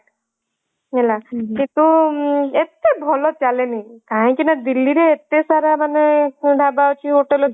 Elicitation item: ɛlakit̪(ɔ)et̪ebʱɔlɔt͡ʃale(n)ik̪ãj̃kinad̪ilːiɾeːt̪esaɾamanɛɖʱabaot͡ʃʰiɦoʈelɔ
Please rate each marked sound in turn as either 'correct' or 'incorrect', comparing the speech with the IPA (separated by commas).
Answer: incorrect, correct